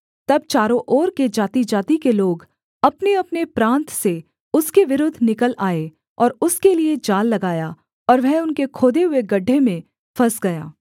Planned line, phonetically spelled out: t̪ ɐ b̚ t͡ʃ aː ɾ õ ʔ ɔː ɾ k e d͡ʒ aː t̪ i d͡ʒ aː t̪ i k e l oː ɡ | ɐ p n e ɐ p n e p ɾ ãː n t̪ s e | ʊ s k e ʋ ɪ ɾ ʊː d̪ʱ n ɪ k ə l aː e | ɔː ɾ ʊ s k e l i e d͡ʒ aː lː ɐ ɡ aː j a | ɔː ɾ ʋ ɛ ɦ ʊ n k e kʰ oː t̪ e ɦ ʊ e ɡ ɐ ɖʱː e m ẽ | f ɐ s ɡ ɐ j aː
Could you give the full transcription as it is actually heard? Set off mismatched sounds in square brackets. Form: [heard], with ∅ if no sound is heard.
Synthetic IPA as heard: t̪ ɐ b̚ t͡ʃ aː ɾ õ ʔ ɔː ɾ k e d͡ʒ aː t̪ i d͡ʒ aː t̪ i k e l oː ɡ | ɐ p n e ɐ p n e p ɾ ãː n t̪ s e | ʊ s k e ʋ ɪ ɾ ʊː d̪ʱ n ɪ k ə l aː e | ɔː ɾ ʊ s k e l i e d͡ʒ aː lː ɐ ɡ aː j a | ɔː ɾ ʋ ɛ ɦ ʊ n k e kʰ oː [d̪] e ɦ ʊ e ɡ ɐ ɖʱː e m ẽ | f ɐ s ɡ ɐ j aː

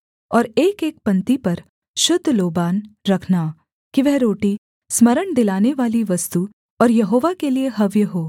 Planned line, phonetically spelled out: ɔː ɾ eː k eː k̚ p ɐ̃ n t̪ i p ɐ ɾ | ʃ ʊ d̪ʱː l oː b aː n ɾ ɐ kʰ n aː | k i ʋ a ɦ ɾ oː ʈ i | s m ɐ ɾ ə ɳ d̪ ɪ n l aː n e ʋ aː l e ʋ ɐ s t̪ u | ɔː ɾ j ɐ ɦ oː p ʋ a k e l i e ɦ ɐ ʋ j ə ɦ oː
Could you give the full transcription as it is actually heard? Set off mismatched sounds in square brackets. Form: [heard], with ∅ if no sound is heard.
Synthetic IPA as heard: ɔː ɾ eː k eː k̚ p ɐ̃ n t̪ i p ɐ ɾ | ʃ ʊ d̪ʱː l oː b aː n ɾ ɐ kʰ n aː | k i ʋ [ɛ] ɦ ɾ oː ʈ i | s m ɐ ɾ ə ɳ d̪ ɪ [∅] l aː n e ʋ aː l [i] ʋ ɐ s t̪ u | ɔː ɾ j ɐ ɦ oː [∅] ʋ a k e l i e ɦ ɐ ʋ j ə ɦ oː

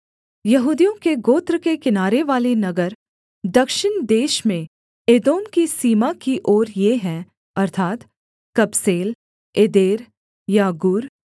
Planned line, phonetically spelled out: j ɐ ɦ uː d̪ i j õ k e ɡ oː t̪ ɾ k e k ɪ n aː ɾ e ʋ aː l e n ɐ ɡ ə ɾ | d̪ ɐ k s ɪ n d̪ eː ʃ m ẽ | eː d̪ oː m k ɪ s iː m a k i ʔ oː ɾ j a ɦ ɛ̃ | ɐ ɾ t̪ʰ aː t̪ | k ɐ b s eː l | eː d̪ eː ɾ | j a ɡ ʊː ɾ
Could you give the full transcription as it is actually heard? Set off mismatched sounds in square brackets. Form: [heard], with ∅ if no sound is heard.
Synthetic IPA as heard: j ɐ ɦ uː d̪ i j õ k e ɡ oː t̪ ɾ k e k ɪ n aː ɾ e ʋ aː l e n ɐ ɡ ə ɾ | d̪ ɐ k [ʃ] ɪ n d̪ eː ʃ m ẽ | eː d̪ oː m k [i] s iː m a k i ʔ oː ɾ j [e] ɦ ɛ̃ | ɐ ɾ t̪ʰ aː t̪ | k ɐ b s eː l | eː d̪ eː ɾ | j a ɡ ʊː ɾ

